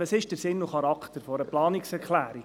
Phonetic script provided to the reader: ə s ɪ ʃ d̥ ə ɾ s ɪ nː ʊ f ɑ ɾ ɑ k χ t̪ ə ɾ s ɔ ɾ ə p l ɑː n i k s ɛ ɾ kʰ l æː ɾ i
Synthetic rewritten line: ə s ɪ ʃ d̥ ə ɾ s ɪ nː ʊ χ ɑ ɾ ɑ k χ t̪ ə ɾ f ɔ ɾ ə p l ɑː n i k s ɛ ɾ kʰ l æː ɾ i